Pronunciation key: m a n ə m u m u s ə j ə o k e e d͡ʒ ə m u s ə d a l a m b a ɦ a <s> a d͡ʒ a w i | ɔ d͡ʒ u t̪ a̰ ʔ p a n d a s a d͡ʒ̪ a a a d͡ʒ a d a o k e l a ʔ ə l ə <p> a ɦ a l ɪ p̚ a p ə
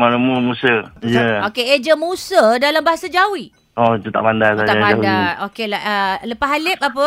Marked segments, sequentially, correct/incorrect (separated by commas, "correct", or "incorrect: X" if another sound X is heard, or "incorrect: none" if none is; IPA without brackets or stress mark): correct, correct